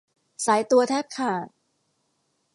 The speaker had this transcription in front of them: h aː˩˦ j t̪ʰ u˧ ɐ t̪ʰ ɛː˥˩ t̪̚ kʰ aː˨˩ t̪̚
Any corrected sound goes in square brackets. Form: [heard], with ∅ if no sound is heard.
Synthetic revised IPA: [s] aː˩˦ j [t̪] u˧ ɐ t̪ʰ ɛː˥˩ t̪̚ kʰ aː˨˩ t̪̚

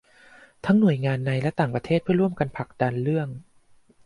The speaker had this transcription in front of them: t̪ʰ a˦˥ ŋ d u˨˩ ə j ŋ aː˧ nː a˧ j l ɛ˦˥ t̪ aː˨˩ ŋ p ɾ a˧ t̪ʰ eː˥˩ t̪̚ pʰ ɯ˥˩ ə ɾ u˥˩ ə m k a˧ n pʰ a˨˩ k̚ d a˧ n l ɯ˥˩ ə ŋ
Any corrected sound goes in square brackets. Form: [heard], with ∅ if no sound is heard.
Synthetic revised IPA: t̪ʰ a˦˥ ŋ [n] u˨˩ ə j ŋ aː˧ nː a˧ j l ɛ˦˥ t̪ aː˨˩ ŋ p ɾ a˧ t̪ʰ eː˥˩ t̪̚ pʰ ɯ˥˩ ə ɾ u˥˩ ə m k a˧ n pʰ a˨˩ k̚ d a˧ n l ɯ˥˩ ə ŋ

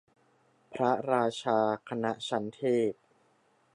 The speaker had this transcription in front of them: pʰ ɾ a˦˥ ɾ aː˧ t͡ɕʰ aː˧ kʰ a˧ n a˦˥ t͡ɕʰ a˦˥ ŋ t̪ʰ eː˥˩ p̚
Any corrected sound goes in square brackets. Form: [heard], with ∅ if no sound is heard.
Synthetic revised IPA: pʰ ɾ a˦˥ ɾ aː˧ t͡ɕʰ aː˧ kʰ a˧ n a˦˥ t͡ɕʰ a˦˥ [n] t̪ʰ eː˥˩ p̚

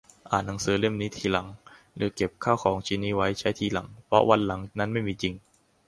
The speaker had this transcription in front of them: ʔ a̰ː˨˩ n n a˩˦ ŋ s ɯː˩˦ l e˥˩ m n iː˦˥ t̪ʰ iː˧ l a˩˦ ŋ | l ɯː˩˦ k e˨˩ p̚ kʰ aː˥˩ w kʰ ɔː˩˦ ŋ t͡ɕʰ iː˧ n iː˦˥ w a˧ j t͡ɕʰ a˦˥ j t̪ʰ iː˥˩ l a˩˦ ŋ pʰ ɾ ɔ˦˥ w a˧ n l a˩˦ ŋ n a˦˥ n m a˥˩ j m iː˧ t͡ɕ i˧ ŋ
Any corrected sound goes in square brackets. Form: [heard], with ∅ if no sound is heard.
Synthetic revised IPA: ʔ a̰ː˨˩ n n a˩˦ ŋ s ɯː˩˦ l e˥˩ m n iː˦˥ t̪ʰ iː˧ l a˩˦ ŋ | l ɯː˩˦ k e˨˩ p̚ kʰ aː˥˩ w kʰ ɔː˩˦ ŋ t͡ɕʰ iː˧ n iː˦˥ w [a˦˥] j t͡ɕʰ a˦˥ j t̪ʰ [iː˧] l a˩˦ ŋ pʰ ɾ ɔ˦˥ w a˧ n l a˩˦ ŋ n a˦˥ n m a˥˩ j m iː˧ t͡ɕ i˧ ŋ

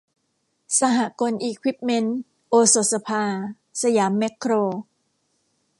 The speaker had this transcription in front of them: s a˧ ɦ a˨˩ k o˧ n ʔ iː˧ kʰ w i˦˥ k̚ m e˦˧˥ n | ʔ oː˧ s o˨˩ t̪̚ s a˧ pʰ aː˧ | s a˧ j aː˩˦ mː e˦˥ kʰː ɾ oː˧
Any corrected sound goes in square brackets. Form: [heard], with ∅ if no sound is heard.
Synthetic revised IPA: s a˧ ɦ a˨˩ k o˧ n ʔ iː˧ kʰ w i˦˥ [p̚] m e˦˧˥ n | ʔ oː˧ s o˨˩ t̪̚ s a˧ pʰ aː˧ | s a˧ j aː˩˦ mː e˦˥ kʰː ɾ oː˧

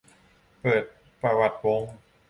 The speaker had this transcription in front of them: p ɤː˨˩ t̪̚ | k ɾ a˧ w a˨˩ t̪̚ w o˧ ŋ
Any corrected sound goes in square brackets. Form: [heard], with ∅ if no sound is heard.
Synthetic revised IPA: p ɤː˨˩ t̪̚ | [p] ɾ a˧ w a˨˩ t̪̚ w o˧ ŋ

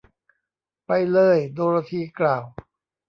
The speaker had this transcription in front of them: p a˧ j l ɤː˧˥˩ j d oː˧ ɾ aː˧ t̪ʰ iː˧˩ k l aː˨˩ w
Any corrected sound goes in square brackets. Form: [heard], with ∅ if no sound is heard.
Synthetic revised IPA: p a˧ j l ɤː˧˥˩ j d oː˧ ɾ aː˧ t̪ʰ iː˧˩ k l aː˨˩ w

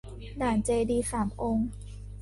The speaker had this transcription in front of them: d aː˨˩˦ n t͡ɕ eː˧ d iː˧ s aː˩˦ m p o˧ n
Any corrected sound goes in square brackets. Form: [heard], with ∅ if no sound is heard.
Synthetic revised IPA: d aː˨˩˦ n t͡ɕ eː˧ d iː˧ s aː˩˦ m [ʔ] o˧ [ŋ]

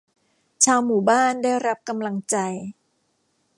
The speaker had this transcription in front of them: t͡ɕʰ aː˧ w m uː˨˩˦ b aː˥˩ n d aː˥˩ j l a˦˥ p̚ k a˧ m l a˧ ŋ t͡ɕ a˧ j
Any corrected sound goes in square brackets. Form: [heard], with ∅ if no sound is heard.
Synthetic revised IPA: t͡ɕʰ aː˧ w m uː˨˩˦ b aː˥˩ n d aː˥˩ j [ɾ] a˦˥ p̚ k a˧ m l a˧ ŋ t͡ɕ a˧ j

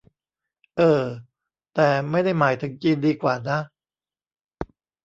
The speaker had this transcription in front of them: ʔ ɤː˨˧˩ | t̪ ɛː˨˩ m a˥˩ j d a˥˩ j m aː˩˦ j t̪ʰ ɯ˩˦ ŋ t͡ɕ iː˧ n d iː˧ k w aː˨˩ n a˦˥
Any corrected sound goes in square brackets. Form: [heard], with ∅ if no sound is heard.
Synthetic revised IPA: ʔ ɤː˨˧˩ | t̪ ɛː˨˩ m a˥˩ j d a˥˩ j m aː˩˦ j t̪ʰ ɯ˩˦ ŋ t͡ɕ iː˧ n d iː˧ k w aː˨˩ n a˦˥

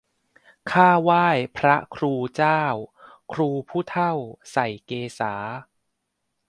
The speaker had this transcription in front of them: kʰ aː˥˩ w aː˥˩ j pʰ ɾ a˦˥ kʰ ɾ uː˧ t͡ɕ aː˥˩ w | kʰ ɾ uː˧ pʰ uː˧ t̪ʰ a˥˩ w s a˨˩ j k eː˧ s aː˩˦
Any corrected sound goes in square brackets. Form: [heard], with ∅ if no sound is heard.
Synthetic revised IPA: kʰ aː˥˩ w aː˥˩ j pʰ ɾ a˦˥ kʰ ɾ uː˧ t͡ɕ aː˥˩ w | kʰ ɾ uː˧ pʰ [uː˥˩] t̪ʰ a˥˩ w s a˨˩ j k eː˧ s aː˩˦

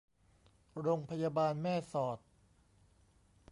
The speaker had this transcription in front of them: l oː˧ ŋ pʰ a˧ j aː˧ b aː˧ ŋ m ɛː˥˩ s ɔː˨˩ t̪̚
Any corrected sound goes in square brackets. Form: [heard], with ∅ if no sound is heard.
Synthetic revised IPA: [ɾ] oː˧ ŋ pʰ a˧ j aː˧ b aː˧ [n] m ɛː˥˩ s ɔː˨˩ t̪̚

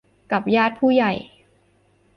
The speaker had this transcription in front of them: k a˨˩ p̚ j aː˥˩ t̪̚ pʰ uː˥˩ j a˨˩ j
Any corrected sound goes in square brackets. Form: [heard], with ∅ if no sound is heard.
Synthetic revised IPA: k a˨˩ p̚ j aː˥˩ t̪̚ pʰ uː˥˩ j a˨˩ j

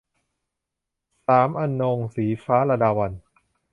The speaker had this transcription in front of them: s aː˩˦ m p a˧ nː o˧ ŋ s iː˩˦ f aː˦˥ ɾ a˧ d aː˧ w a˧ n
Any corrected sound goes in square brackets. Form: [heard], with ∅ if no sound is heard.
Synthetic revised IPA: s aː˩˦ m [ʔ] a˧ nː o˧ ŋ s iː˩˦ f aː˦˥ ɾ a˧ d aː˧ w a˧ n

